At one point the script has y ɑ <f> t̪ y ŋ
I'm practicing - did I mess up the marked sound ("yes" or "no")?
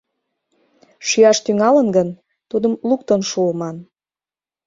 yes